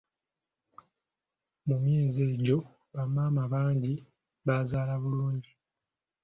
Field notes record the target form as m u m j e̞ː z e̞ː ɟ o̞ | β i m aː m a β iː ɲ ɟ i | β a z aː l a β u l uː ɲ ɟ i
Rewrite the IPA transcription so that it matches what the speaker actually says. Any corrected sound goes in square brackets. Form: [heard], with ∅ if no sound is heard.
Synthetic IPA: m u m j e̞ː z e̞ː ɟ o̞ | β [a] m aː m a β [aː] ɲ ɟ i | β a z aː l a β u l uː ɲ ɟ i